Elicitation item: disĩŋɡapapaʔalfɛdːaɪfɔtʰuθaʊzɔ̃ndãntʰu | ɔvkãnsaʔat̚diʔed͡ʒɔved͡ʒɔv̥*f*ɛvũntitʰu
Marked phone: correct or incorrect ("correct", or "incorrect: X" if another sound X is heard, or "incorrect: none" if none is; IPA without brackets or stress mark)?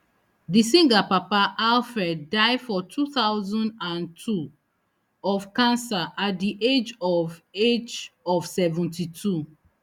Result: incorrect: s